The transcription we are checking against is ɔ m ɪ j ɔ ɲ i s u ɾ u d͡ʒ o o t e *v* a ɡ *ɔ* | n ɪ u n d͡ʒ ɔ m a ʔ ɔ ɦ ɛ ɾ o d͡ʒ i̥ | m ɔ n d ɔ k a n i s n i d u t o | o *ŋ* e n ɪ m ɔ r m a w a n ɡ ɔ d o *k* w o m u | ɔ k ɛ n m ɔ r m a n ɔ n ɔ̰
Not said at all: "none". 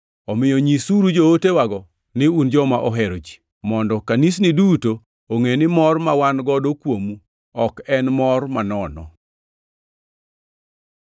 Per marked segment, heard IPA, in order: w, ɔ, ŋ, k

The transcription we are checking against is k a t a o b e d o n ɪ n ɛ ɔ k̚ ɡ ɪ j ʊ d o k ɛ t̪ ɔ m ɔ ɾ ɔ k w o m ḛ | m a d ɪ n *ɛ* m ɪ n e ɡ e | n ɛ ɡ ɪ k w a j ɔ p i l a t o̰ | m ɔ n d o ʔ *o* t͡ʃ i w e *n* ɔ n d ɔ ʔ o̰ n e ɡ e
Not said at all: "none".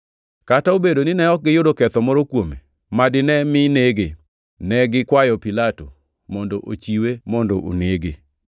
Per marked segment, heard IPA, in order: ɛ, o, m

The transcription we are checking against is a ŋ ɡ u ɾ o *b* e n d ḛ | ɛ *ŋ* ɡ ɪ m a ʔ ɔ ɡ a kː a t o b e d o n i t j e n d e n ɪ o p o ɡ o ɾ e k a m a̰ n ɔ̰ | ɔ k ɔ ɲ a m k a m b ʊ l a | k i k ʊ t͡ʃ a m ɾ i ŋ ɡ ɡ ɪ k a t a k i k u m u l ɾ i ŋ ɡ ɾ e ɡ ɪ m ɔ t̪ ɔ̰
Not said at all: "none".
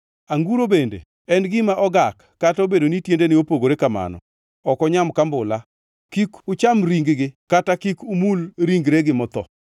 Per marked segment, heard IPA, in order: b, n

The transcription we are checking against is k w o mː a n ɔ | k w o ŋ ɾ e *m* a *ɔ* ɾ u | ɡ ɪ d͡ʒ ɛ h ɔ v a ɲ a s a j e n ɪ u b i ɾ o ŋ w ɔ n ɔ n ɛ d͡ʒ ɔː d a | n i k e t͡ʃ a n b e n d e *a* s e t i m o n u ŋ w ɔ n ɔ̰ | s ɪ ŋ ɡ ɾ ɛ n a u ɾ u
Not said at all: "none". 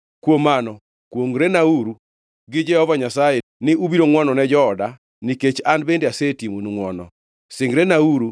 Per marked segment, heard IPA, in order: n, u, a

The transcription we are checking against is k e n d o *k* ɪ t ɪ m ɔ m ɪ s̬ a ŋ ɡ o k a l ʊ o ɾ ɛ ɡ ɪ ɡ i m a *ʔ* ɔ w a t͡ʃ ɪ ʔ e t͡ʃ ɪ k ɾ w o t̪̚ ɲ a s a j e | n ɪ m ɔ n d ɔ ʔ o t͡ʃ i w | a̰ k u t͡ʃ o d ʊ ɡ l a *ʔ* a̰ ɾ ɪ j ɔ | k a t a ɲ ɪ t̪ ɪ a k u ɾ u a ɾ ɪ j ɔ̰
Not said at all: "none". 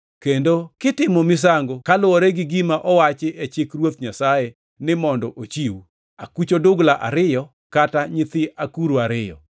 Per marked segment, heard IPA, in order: k, ʔ, ʔ

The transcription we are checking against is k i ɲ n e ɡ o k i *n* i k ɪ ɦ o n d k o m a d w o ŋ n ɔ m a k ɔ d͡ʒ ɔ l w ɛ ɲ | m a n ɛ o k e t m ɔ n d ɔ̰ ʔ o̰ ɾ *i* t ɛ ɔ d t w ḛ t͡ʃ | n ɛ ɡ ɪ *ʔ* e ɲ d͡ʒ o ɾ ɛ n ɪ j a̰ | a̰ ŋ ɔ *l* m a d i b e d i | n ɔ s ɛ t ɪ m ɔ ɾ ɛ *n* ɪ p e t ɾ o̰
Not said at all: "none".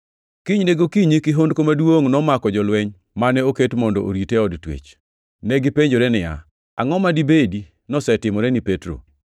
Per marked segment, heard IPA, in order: ɲ, i, p, none, n

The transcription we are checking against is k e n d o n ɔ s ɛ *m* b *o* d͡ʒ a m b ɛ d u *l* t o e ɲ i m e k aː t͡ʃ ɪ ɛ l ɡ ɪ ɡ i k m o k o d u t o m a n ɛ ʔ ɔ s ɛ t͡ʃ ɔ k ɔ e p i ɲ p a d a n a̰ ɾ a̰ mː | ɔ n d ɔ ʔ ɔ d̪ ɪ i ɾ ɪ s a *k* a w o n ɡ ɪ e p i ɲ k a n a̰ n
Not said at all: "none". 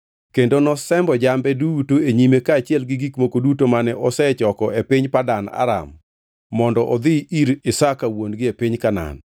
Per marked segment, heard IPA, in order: m, ɔ, none, k

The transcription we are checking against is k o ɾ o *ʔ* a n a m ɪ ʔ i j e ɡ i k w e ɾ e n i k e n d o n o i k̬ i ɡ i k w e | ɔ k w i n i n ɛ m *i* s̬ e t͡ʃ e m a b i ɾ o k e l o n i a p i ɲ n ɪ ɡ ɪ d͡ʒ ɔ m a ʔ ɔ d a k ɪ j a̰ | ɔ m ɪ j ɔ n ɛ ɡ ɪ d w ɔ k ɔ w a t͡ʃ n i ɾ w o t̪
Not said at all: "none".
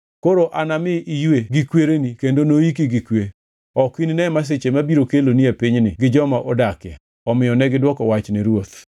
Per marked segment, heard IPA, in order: ʔ, a

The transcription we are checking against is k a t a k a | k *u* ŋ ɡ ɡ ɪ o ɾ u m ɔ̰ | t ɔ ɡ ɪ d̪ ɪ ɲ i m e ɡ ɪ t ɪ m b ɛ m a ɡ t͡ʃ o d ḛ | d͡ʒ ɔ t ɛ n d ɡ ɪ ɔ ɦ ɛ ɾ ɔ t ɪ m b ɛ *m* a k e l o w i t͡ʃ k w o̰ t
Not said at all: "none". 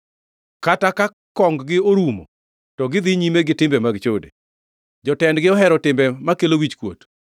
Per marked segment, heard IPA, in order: ɔ, m

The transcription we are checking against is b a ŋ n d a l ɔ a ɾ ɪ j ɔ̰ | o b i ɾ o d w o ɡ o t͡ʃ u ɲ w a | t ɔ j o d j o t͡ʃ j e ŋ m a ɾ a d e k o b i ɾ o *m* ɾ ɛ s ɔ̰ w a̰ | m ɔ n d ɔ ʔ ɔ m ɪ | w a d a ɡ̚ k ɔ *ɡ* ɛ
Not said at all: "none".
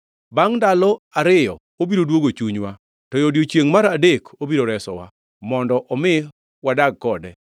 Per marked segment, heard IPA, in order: none, d

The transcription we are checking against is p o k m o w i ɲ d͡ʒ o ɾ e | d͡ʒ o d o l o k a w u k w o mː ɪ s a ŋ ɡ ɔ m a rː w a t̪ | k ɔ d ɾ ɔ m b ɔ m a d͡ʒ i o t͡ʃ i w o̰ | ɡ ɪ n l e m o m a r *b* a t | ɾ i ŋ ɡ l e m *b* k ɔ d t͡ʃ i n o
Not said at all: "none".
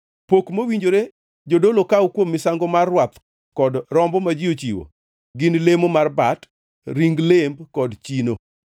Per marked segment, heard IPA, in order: b, b

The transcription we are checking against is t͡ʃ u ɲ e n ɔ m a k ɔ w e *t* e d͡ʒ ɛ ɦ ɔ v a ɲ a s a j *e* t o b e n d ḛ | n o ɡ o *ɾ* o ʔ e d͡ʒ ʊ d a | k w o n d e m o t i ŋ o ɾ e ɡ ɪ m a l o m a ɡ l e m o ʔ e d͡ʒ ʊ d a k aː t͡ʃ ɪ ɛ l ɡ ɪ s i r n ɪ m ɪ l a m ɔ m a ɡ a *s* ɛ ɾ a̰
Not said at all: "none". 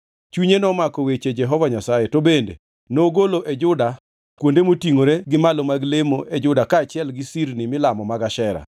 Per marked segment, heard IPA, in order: t͡ʃ, e, l, ʃ

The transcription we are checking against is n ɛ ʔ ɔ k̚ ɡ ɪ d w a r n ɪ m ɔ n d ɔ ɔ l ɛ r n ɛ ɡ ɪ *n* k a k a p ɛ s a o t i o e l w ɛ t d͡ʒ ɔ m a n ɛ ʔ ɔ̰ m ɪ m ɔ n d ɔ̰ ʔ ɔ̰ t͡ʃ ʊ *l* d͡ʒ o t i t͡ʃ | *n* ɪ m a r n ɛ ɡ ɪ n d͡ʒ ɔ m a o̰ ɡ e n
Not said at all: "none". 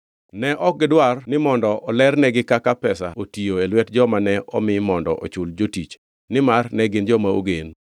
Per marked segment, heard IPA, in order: none, l, n

